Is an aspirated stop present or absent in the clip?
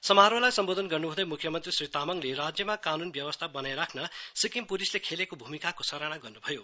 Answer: present